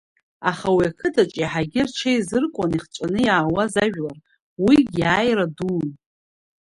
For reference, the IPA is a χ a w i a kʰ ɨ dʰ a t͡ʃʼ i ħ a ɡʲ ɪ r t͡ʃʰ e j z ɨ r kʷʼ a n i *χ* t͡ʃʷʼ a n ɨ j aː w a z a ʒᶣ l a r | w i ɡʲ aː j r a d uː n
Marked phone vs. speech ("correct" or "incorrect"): correct